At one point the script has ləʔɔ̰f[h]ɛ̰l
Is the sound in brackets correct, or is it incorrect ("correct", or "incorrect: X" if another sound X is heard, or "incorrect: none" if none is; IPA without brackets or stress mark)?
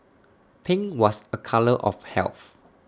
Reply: correct